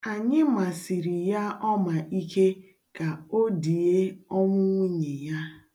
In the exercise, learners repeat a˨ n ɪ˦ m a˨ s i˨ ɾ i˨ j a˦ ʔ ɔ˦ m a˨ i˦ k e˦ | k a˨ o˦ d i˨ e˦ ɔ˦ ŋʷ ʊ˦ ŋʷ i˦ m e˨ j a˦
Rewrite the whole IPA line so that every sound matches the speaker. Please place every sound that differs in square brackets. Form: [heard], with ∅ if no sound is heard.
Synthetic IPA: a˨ [ɲ] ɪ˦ m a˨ s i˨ ɾ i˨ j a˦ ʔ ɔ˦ m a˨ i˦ k e˦ | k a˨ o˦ d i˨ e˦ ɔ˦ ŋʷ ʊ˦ ŋʷ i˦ [ɲ] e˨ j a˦